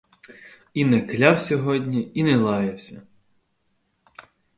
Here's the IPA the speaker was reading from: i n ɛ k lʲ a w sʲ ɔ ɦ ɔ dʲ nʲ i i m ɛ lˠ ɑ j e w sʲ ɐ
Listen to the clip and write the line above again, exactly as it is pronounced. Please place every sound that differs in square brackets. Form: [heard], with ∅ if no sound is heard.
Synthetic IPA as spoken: i n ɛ k lʲ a w sʲ ɔ ɦ ɔ dʲ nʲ i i [n] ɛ lˠ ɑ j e w sʲ ɐ